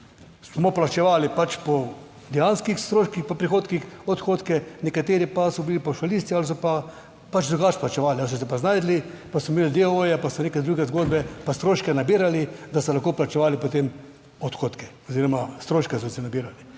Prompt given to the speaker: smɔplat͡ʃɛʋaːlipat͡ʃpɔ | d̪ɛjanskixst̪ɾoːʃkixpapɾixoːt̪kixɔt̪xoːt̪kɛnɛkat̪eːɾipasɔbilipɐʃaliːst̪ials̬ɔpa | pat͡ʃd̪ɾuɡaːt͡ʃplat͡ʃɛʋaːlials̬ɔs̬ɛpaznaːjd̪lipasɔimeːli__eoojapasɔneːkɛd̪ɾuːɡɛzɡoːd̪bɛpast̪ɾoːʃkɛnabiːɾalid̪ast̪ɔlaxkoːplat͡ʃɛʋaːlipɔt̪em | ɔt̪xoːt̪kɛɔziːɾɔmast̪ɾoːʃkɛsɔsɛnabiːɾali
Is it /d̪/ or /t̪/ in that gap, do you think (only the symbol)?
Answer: d̪